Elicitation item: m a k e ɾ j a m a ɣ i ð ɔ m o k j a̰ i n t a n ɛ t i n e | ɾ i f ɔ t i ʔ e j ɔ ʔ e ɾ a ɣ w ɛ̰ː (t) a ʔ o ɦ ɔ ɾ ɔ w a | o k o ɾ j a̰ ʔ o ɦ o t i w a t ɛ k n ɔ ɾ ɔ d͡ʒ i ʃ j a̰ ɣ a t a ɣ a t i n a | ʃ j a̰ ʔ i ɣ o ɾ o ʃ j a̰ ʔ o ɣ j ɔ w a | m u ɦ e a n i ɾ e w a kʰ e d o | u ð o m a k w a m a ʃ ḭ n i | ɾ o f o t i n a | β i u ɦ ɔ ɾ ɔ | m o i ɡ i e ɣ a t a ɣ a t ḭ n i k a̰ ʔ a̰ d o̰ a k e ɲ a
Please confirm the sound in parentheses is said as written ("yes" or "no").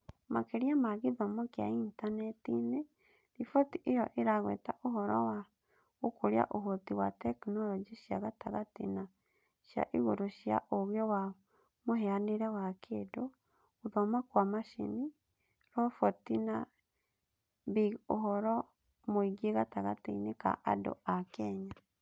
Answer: yes